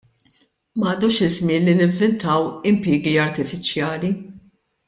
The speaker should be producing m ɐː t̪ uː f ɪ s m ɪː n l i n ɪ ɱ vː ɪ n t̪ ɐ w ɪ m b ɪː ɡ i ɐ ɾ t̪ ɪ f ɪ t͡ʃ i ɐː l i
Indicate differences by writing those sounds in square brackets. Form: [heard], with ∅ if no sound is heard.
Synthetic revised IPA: m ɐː [d̪] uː [ʃ] ɪ [z] m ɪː n l i n ɪ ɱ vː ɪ n t̪ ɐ w ɪ m [p] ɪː ɡ i ɐ ɾ t̪ ɪ f ɪ t͡ʃ [j] ɐː l i